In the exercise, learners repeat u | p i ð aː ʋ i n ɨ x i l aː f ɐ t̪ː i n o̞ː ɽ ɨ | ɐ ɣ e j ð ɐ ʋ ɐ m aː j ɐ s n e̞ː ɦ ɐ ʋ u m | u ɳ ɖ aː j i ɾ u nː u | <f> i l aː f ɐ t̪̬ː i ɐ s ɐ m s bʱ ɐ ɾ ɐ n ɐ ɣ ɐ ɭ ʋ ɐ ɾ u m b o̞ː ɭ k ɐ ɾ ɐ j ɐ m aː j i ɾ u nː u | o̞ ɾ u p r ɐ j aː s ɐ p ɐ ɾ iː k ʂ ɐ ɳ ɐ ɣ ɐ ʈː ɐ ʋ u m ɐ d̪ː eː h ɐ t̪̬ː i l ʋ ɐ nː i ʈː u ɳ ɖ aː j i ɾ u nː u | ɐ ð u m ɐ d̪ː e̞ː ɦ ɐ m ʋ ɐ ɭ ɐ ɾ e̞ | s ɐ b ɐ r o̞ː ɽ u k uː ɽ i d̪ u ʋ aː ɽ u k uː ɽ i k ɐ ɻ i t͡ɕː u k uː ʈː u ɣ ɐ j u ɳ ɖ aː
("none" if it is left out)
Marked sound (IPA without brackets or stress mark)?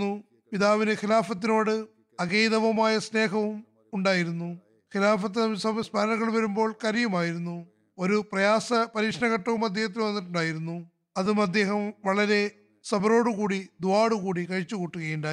x